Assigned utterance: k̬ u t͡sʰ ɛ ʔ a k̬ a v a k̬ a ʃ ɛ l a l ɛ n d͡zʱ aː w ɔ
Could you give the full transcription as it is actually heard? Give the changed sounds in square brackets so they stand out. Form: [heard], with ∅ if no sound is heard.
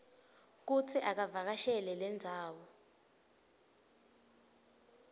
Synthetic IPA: k̬ u t͡sʰ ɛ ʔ a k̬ a v a k̬ a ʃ ɛ l [ɛ] l ɛ n d͡zʱ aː w ɔ